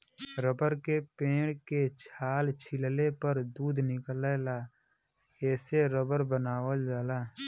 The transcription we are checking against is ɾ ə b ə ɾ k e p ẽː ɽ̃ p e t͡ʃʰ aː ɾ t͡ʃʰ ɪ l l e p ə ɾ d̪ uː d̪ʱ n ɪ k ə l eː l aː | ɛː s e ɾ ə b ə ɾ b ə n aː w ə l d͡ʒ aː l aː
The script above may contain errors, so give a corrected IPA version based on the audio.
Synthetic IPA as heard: ɾ ə b ə ɾ k e p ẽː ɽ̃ k e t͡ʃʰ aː l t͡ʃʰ ɪ l l e p ə ɾ d̪ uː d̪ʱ n ɪ k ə l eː l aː | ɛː s e ɾ ə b ə ɾ b ə n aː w ə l d͡ʒ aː l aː